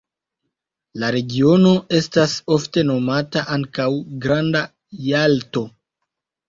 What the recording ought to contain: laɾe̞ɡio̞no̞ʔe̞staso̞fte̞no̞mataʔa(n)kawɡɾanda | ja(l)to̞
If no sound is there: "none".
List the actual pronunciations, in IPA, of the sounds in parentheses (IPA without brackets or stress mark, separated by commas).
ŋ, l